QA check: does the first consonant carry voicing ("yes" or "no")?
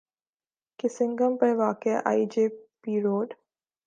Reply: no